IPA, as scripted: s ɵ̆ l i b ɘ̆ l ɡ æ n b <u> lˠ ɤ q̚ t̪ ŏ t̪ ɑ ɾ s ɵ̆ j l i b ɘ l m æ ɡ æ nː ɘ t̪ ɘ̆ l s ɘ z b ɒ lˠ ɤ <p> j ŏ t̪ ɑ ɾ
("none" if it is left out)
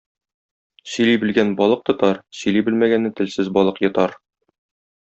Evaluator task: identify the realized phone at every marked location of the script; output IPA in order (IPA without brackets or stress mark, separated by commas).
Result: ɒ, q